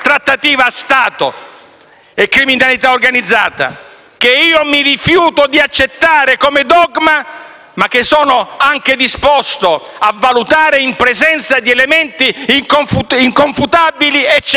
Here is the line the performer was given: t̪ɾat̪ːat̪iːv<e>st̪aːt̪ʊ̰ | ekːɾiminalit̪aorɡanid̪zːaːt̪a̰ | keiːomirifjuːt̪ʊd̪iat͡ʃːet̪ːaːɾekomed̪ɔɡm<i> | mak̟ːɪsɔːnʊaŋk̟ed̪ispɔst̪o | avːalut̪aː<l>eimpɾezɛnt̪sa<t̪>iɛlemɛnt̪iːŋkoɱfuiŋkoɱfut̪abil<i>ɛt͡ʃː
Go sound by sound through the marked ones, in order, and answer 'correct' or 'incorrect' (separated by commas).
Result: incorrect, incorrect, incorrect, incorrect, correct